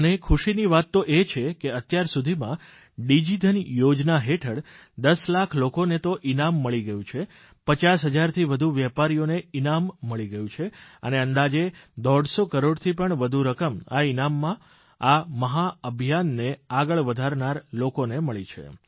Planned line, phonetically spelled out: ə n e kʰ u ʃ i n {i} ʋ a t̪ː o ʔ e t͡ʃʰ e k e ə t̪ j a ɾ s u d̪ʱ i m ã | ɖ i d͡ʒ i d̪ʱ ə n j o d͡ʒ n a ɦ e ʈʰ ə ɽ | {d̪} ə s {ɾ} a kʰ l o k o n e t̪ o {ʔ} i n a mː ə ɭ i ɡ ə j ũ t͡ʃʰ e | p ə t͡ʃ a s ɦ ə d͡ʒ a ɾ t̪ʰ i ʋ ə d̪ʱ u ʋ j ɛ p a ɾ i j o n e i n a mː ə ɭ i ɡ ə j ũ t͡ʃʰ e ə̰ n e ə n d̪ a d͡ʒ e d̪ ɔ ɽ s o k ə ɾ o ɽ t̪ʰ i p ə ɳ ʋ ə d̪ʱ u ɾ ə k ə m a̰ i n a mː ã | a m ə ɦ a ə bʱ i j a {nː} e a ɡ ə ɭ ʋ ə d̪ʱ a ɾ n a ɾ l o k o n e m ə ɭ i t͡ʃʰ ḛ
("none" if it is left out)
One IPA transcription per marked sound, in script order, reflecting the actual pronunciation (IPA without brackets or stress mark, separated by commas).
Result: i, d̪, l, ʔ, nː